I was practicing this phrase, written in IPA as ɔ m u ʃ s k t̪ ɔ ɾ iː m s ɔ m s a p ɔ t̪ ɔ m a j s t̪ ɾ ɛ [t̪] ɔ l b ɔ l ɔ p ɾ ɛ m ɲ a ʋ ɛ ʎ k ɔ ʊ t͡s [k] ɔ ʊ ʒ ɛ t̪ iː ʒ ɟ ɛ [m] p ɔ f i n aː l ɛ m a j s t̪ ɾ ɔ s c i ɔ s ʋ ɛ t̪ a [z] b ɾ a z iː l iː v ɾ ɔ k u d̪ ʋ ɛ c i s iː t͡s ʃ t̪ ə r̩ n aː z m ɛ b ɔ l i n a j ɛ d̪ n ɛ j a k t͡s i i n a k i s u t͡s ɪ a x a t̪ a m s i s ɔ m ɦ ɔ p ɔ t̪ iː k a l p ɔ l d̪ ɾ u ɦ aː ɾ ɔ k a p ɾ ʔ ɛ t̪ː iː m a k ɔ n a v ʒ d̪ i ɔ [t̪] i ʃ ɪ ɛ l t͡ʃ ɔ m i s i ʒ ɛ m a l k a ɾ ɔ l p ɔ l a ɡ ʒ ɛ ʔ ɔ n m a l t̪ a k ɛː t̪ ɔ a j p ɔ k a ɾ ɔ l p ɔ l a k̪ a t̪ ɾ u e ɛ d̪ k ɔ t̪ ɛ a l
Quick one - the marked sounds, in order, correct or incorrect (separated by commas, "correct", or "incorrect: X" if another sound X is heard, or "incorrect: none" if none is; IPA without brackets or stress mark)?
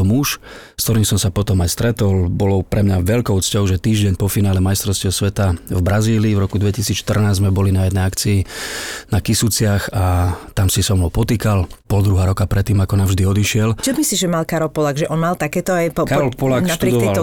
correct, incorrect: c, incorrect: ɲ, incorrect: v, incorrect: d̪